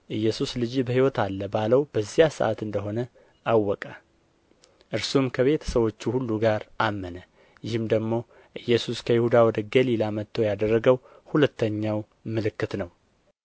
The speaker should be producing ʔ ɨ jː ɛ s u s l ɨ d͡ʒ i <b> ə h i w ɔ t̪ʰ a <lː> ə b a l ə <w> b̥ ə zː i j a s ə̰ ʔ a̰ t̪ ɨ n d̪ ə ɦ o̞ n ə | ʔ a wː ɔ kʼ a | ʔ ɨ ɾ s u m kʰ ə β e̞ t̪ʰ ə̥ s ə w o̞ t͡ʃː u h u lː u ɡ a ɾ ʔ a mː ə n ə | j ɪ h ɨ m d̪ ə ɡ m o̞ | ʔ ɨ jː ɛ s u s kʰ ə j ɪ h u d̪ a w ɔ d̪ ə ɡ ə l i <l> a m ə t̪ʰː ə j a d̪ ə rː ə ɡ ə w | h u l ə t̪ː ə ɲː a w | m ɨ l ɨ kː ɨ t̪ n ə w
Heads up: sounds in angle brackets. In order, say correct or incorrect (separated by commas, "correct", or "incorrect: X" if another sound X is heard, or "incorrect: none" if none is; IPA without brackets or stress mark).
correct, correct, correct, correct